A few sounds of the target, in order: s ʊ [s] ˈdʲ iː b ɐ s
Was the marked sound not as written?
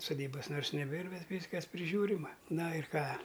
yes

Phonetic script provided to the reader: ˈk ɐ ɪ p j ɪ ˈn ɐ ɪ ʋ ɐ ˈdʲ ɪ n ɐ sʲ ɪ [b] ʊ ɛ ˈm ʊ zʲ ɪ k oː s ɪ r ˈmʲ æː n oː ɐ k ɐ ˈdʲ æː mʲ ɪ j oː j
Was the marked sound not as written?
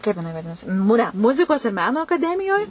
yes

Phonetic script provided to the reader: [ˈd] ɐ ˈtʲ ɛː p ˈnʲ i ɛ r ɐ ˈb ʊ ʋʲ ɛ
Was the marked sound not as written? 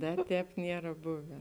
no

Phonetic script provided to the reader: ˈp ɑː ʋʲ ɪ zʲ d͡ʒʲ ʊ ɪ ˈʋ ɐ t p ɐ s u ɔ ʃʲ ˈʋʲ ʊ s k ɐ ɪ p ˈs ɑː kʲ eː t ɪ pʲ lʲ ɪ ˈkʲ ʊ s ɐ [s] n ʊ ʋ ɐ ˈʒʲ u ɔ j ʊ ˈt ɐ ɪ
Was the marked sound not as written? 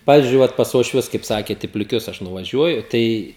yes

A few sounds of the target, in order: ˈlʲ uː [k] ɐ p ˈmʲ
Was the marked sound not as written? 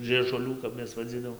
no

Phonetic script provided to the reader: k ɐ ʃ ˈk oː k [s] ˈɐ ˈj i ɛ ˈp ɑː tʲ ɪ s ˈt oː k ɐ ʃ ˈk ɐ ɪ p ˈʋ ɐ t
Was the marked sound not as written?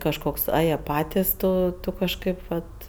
no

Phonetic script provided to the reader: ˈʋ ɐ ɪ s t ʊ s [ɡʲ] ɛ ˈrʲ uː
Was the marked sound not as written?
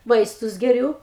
no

